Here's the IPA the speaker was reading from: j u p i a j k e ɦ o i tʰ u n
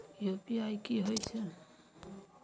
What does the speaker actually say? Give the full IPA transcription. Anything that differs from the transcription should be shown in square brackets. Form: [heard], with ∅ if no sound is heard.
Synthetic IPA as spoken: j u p i a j k [i] ɦ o [j] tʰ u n